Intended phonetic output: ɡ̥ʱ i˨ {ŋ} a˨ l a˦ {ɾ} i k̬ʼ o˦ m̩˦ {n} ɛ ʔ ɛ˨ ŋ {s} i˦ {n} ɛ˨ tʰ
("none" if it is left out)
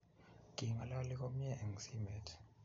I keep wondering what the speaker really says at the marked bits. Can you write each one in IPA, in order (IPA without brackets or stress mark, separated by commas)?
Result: ŋ, l, ɲ, s, m